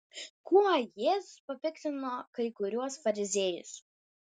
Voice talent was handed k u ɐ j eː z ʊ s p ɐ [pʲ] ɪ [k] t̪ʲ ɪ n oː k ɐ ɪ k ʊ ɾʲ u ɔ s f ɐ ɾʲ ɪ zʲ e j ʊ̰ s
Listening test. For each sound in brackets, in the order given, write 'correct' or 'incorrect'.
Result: correct, correct

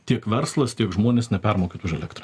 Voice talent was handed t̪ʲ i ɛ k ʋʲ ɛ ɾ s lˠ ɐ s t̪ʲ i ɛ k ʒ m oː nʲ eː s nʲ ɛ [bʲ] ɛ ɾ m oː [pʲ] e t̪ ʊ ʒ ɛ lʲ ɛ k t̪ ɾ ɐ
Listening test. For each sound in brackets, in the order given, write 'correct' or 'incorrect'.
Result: incorrect, incorrect

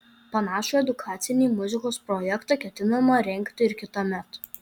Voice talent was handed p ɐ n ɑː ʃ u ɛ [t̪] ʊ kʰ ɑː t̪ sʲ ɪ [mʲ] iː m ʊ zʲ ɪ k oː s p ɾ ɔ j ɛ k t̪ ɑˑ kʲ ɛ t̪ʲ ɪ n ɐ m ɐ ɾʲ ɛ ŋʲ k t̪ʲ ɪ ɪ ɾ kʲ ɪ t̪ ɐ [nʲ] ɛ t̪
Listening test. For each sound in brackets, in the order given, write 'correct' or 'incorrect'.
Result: incorrect, incorrect, incorrect

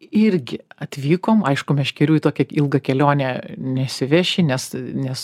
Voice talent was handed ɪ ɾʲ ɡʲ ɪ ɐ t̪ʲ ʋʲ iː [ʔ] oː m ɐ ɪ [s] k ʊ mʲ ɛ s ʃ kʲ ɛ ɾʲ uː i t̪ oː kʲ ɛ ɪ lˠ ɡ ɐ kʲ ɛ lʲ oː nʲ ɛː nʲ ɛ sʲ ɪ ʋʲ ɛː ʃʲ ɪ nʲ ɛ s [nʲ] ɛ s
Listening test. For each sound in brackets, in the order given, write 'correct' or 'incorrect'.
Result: incorrect, incorrect, correct

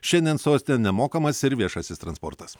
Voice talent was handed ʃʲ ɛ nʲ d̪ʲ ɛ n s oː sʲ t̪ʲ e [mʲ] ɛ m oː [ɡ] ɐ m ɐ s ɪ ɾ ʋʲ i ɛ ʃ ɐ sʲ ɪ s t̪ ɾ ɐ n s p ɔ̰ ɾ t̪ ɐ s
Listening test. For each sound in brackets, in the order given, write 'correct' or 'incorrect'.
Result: incorrect, incorrect

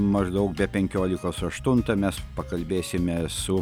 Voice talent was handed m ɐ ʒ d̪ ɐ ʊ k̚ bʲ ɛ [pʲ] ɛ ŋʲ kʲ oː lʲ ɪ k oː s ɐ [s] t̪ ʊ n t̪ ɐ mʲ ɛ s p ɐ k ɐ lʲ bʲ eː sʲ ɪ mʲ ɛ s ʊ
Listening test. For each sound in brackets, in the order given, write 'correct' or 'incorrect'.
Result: correct, incorrect

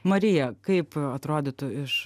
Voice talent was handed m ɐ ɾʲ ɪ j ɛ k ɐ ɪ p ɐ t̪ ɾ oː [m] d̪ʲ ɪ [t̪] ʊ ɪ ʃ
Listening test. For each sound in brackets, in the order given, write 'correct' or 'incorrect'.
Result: incorrect, correct

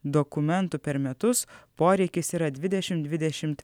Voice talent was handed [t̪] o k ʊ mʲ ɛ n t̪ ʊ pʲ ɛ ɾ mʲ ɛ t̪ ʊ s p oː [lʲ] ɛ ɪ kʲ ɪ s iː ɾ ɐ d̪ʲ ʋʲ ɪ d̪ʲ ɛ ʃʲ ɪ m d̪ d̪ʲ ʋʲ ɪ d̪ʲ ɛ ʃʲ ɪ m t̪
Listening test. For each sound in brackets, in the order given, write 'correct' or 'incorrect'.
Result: incorrect, incorrect

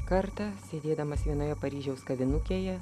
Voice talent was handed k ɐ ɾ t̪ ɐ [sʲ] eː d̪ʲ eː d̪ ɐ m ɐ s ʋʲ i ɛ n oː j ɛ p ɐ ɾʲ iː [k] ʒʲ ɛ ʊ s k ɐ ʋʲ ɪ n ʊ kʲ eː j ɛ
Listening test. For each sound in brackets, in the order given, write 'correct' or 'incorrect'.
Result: correct, incorrect

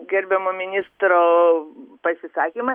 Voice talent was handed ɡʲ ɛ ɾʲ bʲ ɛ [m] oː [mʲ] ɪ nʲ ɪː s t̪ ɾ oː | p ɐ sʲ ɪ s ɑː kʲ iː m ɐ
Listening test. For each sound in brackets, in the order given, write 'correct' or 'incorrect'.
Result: correct, correct

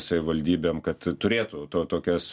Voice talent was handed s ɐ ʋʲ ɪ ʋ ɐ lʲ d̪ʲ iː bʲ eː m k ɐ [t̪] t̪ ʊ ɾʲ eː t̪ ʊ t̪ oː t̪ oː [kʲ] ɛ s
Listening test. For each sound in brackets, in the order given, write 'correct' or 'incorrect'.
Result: correct, correct

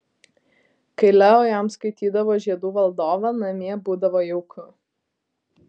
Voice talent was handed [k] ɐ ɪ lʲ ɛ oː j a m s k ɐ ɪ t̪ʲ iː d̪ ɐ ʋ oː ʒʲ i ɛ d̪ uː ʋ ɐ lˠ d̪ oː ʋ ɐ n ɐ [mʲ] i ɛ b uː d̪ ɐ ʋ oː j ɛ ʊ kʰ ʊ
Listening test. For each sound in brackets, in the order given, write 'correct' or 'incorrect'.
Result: correct, correct

